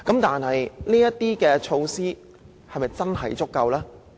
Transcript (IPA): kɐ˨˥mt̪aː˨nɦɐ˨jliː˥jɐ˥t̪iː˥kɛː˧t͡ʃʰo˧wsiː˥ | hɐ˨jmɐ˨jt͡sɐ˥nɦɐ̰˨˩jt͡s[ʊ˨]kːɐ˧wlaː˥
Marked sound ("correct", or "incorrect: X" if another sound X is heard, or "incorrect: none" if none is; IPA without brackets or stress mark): incorrect: ʊ˥